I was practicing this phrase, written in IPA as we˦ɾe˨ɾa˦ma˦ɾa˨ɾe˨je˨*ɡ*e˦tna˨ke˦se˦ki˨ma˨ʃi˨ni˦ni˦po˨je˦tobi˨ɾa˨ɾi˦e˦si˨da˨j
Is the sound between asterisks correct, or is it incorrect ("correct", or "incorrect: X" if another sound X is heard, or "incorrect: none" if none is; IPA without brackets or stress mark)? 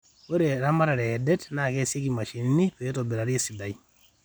incorrect: d